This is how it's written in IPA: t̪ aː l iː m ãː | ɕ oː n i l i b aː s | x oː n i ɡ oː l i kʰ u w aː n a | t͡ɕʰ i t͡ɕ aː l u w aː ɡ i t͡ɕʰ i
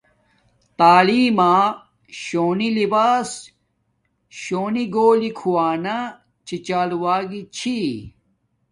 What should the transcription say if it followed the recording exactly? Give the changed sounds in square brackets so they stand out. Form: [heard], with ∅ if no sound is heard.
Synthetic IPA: t̪ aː l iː m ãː | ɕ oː n i l i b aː s | [ɕ] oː n i ɡ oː l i kʰ u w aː n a | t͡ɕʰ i t͡ɕ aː l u w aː ɡ i t͡ɕʰ i